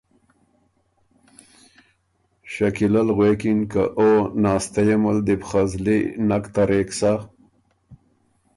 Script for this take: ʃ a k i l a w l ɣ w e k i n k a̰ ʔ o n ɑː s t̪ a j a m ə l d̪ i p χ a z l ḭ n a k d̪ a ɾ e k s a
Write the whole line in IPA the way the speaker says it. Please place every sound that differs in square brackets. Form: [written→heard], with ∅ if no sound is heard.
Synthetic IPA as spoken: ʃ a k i l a [w→∅] l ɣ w e k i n k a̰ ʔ o n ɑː s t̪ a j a m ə l d̪ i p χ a z l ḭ n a k [d̪→t̪] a ɾ e k s a